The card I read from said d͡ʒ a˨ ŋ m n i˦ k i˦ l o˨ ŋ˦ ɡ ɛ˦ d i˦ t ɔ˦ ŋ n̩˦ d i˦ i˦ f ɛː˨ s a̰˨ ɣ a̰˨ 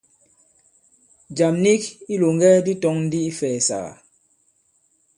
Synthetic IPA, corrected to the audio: d͡ʒ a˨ m n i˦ k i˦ l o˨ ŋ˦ ɡ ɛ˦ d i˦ t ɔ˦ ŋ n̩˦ d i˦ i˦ f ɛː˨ s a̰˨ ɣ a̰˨